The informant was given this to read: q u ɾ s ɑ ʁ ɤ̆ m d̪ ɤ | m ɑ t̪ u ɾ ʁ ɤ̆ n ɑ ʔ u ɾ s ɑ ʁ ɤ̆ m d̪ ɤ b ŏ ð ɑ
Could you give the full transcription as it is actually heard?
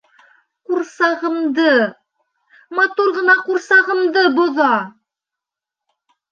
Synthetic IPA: q u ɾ s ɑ ʁ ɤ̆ m d̪ ɤ | m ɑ t̪ u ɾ ʁ ɤ̆ n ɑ q u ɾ s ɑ ʁ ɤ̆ m d̪ ɤ b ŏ ð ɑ